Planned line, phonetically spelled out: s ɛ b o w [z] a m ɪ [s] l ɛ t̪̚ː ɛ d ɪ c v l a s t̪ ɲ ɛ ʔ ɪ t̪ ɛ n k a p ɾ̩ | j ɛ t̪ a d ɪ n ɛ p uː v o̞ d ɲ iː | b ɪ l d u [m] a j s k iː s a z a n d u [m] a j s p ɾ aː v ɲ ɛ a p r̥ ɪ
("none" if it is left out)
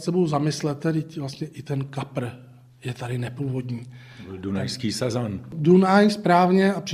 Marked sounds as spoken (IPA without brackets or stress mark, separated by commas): z, s, n, n